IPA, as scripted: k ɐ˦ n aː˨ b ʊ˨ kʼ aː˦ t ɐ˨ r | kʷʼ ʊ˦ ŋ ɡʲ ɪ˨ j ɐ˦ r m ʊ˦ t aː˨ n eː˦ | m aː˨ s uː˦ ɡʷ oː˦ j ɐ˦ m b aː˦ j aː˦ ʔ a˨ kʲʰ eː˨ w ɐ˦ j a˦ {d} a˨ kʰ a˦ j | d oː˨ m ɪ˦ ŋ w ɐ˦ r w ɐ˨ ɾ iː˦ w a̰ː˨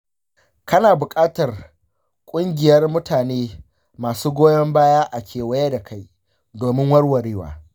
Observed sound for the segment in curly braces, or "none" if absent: d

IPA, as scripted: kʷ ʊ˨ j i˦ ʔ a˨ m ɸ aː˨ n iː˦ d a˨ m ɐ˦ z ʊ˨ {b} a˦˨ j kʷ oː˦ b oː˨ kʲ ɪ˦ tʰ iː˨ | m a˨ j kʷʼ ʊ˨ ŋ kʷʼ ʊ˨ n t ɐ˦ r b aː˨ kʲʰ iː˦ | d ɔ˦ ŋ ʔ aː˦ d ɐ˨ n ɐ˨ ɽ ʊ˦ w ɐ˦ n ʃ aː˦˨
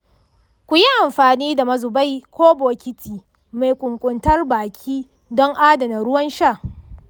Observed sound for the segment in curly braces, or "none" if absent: b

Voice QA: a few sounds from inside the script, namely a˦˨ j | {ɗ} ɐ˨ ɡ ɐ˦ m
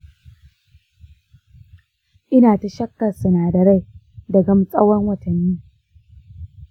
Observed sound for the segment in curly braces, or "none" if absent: d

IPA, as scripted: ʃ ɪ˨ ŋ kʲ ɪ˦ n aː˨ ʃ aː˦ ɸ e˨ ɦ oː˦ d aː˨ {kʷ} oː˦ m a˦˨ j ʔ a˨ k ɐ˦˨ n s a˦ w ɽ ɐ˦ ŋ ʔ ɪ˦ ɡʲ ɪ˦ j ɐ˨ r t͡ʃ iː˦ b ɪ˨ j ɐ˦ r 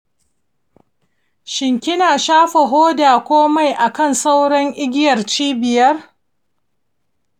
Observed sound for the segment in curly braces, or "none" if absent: kʷ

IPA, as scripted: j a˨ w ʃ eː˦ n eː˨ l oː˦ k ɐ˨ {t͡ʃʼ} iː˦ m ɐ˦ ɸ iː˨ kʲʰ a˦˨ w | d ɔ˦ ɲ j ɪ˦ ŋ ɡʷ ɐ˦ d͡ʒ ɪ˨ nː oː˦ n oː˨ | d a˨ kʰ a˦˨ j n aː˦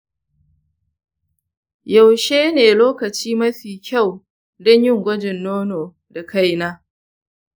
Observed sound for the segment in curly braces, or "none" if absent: t͡ʃ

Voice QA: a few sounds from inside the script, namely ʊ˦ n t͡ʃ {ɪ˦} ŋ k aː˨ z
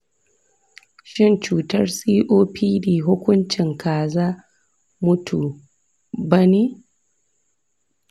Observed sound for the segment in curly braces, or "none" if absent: ɪ˨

